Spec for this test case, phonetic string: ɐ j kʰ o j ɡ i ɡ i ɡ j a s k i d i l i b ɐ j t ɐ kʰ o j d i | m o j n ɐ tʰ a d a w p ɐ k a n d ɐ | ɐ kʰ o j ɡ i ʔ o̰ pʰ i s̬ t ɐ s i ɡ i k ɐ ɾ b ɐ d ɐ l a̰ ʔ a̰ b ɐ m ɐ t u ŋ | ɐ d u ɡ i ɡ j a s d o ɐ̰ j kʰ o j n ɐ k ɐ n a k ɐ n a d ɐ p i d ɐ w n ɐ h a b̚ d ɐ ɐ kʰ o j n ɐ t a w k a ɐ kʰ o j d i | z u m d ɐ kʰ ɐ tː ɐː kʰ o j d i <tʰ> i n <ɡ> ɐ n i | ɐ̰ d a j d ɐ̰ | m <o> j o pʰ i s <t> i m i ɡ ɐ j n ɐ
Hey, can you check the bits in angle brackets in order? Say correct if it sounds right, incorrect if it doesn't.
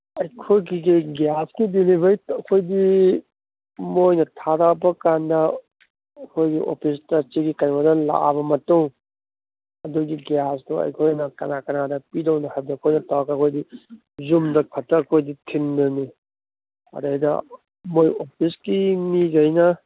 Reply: correct, incorrect: d, correct, incorrect: k

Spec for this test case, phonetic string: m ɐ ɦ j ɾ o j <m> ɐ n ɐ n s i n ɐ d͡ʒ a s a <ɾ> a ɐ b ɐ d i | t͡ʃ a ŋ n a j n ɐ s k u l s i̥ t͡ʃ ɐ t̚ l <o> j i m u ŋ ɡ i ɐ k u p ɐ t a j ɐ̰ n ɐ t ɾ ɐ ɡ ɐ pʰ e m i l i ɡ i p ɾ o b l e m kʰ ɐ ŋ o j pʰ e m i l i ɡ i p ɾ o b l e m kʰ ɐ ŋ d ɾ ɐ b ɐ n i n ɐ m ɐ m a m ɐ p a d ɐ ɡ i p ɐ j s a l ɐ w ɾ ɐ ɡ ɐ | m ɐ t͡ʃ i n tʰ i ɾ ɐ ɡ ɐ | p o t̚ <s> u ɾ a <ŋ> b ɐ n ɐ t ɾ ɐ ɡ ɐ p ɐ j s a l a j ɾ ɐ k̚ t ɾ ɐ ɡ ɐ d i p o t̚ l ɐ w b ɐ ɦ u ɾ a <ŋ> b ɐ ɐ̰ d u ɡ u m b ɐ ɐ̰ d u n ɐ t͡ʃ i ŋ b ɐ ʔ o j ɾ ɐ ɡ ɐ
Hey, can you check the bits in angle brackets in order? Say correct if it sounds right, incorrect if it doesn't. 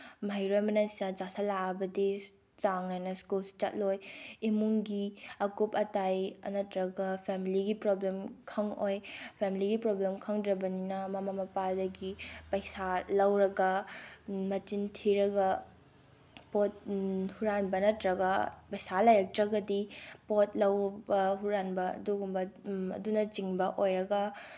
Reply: correct, incorrect: l, correct, incorrect: h, incorrect: n, incorrect: n

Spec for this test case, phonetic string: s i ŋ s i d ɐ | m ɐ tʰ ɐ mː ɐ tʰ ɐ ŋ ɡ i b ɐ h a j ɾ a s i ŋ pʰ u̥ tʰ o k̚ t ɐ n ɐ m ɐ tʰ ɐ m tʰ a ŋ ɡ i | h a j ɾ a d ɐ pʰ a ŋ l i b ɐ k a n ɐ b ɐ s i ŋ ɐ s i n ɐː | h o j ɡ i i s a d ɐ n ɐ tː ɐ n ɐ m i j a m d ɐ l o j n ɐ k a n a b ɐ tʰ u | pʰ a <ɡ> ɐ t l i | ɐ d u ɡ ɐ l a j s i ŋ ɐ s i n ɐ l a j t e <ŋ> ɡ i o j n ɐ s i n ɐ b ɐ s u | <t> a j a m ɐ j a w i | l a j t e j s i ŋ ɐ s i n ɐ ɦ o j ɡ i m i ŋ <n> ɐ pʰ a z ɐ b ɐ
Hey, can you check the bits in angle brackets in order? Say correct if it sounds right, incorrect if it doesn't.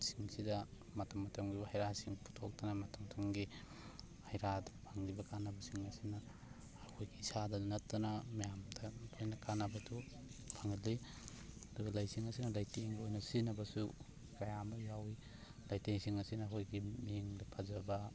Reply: incorrect: ŋ, correct, incorrect: k, incorrect: d

